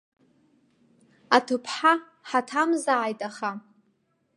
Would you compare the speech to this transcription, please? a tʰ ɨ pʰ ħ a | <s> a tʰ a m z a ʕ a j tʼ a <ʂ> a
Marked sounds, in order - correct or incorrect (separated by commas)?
incorrect, incorrect